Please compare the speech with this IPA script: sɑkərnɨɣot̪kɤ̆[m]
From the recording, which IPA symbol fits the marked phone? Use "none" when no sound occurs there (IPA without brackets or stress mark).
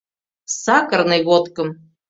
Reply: m